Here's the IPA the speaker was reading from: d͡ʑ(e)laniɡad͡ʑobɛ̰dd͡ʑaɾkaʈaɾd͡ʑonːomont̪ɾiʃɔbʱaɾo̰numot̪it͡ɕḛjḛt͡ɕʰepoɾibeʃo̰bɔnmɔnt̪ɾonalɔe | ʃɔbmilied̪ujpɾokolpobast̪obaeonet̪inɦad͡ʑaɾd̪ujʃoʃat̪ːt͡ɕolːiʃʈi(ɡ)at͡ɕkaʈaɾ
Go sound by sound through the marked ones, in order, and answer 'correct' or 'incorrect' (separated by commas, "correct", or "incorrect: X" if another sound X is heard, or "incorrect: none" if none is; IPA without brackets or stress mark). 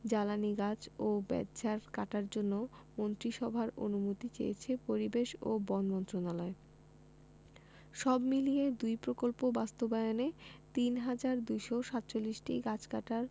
incorrect: a, correct